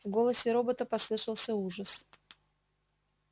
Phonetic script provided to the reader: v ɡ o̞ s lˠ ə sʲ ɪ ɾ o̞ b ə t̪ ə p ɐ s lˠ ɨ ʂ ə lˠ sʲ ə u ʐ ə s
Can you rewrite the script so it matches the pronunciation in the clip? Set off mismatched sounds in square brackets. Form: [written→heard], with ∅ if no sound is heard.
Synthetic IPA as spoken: v ɡ o̞ [s→∅] lˠ ə sʲ ɪ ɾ o̞ b ə t̪ ə p ɐ s lˠ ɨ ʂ ə lˠ sʲ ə u ʐ ə s